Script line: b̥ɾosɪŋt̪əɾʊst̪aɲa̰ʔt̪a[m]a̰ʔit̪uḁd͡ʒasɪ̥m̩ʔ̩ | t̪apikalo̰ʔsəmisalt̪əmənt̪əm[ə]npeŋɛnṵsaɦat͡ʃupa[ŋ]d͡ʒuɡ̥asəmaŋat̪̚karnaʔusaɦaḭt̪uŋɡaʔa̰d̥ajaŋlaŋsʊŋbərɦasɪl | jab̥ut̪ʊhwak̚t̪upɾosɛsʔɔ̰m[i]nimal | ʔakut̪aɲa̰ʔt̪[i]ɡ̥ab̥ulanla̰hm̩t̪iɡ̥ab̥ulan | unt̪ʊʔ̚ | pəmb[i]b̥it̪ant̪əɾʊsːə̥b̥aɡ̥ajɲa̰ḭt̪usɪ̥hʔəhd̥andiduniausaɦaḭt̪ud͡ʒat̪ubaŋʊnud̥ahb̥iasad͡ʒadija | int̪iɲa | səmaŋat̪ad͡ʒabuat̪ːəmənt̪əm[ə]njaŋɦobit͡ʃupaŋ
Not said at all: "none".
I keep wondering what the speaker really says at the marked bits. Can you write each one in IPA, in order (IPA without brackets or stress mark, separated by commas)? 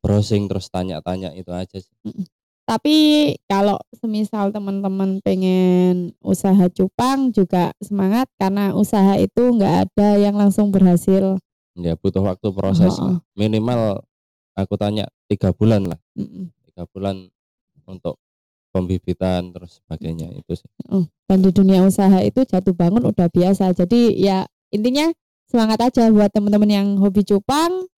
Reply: ɲ, ə, ŋ, i, i, i, ə